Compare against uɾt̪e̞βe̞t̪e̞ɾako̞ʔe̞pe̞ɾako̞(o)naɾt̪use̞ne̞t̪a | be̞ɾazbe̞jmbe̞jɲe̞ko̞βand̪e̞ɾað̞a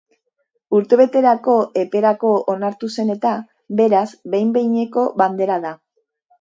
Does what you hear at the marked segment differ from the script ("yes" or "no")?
no